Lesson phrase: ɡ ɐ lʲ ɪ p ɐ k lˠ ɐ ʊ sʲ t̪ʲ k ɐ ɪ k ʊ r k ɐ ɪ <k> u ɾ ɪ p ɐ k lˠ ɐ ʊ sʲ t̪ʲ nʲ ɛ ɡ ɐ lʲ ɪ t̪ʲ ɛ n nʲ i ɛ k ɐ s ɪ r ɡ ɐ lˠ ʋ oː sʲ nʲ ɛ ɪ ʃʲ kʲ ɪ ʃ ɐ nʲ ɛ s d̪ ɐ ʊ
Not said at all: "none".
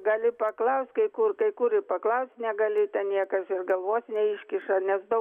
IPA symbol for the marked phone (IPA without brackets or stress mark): k